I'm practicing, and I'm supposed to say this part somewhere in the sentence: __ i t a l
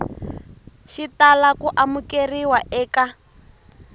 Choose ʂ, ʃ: ʃ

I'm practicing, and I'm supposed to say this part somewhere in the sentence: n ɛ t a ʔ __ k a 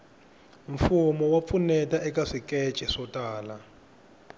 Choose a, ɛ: ɛ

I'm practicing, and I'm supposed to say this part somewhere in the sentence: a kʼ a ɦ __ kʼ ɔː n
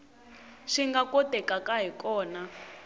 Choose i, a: i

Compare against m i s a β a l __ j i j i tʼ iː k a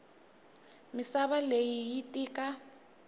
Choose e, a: e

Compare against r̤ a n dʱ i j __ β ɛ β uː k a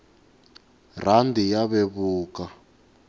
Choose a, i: a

